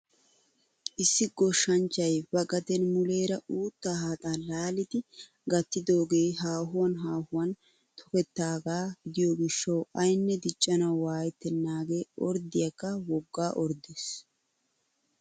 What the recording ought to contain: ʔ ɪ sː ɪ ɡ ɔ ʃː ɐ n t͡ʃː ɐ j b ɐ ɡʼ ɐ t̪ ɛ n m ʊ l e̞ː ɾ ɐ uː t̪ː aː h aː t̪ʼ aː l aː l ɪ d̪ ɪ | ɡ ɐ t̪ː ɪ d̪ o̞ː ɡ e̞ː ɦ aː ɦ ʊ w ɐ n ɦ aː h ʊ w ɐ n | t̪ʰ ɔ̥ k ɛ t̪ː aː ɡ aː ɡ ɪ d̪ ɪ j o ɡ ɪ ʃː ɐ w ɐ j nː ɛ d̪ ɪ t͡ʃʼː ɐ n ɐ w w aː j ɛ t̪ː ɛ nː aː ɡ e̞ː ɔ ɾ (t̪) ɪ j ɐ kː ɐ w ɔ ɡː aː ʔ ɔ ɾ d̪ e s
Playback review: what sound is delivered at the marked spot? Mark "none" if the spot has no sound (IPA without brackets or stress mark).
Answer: d̪